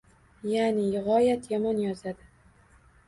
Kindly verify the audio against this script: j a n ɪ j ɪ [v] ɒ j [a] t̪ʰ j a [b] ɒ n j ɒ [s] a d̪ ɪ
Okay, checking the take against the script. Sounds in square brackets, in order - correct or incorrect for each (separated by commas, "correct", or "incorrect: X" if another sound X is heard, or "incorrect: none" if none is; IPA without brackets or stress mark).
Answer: incorrect: ʁ, correct, incorrect: m, incorrect: z